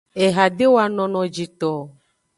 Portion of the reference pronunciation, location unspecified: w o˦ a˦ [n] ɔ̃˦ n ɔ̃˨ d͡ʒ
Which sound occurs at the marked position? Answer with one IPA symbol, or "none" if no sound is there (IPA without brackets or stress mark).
n